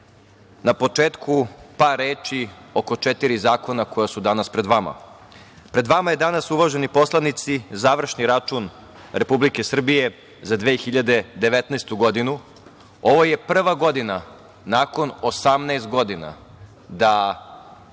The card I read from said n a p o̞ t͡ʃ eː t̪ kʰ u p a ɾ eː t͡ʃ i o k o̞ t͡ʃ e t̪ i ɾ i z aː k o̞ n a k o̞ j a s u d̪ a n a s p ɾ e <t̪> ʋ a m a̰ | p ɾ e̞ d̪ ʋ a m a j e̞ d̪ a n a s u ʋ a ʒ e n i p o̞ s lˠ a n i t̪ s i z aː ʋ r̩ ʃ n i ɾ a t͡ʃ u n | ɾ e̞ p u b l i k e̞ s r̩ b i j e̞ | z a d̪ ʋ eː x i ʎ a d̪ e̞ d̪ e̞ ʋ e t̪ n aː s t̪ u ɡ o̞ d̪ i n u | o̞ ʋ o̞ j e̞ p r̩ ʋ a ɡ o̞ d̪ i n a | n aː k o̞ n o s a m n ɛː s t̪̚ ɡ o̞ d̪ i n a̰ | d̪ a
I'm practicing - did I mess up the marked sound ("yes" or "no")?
yes